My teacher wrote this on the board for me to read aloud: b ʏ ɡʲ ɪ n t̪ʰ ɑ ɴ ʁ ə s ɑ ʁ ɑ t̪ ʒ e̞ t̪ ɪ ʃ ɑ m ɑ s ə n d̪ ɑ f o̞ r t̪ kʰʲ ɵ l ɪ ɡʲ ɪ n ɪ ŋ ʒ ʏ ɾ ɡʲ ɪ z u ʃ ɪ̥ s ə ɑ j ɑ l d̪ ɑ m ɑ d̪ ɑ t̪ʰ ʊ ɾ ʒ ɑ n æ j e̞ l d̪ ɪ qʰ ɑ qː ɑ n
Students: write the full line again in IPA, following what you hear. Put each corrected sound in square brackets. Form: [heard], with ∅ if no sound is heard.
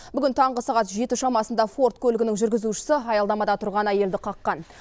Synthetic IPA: b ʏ ɡʲ ɪ n t̪ʰ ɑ ɴ ʁ ə s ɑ ʁ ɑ t̪ ʒ e̞ t̪ ɪ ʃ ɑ m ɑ s ə n d̪ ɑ f o̞ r t̪ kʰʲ ɵ l ɪ ɡʲ ɪ n ɪ ŋ ʒ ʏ ɾ ɡʲ ɪ z u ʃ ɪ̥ s ə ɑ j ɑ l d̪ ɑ m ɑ d̪ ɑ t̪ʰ ʊ ɾ [ʁ] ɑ n æ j e̞ l d̪ ɪ qʰ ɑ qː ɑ n